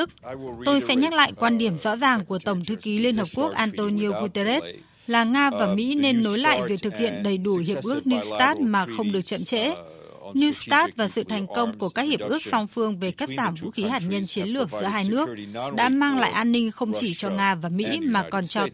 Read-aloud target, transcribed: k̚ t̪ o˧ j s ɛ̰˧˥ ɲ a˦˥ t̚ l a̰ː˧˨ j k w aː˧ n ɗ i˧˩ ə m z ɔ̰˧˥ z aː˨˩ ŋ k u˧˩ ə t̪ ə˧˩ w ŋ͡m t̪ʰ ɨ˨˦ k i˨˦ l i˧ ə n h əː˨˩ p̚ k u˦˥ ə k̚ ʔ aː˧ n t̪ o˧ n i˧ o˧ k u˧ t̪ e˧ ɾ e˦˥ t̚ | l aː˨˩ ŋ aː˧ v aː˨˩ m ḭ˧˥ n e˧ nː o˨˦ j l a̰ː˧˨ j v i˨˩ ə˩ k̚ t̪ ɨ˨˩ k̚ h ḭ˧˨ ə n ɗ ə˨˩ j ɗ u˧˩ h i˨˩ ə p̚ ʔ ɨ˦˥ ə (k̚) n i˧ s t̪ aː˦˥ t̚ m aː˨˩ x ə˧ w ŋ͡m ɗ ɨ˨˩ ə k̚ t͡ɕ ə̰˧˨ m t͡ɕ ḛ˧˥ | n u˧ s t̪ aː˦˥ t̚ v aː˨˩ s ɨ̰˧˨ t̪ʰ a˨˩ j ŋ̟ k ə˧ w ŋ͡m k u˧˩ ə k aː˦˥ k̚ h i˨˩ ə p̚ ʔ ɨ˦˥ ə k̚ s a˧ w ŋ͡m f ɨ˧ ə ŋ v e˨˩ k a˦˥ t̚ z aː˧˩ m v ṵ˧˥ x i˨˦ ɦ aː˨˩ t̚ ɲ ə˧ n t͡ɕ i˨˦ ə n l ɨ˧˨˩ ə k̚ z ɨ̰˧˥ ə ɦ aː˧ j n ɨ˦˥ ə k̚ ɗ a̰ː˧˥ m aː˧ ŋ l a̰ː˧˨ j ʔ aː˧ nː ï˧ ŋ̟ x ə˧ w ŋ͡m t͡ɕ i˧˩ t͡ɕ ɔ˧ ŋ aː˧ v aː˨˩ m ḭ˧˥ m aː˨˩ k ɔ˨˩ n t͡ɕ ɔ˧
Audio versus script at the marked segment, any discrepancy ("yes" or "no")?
no